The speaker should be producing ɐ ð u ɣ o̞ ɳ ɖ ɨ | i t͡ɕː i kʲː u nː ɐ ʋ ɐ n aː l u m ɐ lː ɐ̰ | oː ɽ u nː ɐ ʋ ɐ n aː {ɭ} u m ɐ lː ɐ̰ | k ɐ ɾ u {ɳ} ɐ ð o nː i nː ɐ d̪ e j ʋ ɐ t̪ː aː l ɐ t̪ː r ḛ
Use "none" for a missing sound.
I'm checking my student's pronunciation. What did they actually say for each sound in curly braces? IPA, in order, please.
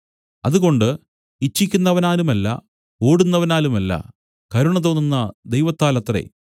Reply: l, ɳ

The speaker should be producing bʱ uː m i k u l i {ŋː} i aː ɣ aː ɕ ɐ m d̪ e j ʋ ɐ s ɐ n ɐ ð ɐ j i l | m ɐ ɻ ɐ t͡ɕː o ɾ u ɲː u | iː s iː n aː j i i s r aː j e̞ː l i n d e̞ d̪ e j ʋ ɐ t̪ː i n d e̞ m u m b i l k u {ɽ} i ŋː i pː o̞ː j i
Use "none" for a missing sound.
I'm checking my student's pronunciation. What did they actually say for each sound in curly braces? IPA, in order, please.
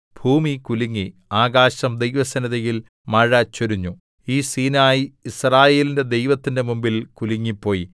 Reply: ŋː, l

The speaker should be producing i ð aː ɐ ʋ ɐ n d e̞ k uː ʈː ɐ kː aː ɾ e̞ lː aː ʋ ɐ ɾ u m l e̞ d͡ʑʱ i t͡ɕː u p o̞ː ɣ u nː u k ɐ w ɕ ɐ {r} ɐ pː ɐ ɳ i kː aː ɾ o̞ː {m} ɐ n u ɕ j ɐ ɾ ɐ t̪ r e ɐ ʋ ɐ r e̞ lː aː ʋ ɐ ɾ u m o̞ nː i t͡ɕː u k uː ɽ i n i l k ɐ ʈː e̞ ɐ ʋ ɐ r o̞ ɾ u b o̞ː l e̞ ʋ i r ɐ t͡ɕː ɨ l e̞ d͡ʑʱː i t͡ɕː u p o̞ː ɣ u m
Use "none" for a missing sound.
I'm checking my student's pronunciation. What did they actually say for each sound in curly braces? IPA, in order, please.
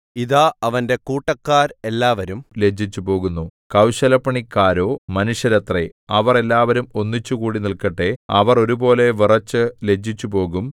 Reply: l, m

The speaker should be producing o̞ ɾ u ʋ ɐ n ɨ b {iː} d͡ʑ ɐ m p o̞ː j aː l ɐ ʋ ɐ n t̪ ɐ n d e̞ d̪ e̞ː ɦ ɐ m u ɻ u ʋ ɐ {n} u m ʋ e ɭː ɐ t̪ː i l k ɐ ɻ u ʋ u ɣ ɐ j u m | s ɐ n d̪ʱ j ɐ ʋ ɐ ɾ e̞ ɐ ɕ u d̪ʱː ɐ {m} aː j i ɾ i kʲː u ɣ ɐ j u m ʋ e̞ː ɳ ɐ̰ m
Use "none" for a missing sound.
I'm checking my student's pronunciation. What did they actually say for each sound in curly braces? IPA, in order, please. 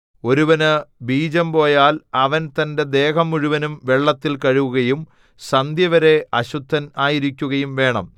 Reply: iː, n, n

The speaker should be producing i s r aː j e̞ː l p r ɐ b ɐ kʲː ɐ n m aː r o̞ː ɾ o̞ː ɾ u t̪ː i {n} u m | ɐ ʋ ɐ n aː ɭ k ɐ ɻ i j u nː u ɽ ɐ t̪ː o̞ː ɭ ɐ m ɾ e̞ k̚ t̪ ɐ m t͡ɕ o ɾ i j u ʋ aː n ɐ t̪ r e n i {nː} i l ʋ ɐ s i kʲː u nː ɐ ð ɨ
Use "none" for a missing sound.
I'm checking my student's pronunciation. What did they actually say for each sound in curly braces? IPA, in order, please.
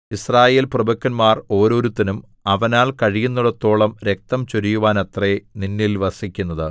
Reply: n, nː

